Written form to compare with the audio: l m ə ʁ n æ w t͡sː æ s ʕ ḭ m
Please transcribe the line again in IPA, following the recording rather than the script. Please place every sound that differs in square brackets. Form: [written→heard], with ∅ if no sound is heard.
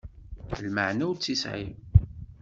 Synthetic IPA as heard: l m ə [ʁ→ʕ] n æ w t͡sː [æ→i] s ʕ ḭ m